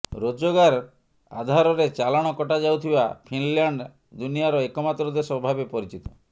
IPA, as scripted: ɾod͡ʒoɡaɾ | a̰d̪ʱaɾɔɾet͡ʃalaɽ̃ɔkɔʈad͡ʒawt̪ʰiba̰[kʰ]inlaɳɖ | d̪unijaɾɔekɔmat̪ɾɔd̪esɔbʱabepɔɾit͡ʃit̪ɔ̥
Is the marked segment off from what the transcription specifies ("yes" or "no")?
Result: yes